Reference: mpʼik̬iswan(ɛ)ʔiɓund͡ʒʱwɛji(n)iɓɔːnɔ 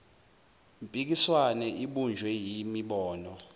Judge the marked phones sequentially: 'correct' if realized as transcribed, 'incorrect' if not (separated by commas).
correct, incorrect